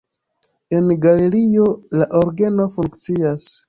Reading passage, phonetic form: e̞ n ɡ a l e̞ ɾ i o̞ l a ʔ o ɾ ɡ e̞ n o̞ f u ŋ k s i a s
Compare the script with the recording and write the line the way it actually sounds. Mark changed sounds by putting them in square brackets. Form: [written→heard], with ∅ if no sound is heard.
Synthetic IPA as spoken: e̞ n ɡ a l e̞ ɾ i o̞ l a ʔ o ɾ ɡ e̞ n o̞ f u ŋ k [s→t͡s] i a s